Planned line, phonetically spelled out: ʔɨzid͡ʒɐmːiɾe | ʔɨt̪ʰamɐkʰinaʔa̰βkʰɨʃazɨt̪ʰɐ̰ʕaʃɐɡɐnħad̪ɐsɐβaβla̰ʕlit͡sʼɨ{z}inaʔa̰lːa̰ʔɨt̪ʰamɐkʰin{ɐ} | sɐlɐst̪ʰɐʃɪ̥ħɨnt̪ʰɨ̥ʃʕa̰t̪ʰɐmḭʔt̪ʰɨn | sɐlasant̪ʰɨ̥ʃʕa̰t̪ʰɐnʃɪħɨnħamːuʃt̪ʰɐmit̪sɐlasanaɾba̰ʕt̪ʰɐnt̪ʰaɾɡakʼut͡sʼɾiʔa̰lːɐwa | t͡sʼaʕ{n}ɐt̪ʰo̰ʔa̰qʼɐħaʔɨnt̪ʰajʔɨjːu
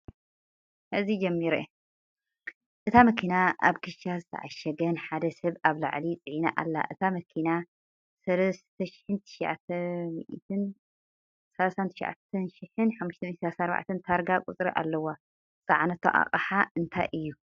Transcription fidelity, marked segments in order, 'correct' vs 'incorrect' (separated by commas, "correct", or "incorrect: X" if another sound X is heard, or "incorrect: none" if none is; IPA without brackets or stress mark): incorrect: ʕ, incorrect: a, correct